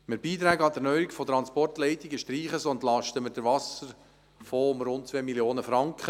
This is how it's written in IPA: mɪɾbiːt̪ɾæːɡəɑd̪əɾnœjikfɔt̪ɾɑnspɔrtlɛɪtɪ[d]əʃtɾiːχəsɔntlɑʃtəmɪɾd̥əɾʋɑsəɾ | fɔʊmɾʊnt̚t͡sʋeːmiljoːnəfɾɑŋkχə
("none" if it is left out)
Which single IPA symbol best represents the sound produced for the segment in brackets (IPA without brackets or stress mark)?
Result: ɡ